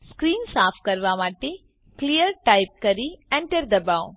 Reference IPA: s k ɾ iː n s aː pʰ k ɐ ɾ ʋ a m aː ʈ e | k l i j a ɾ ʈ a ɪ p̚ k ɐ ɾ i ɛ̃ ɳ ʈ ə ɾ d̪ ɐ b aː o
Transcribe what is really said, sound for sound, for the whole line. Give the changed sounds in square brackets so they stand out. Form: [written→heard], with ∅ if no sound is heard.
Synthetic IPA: s k ɾ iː n s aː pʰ k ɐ ɾ ʋ a m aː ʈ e | k l i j [a→ə] ɾ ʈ a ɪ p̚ k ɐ ɾ i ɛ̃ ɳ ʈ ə ɾ d̪ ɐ b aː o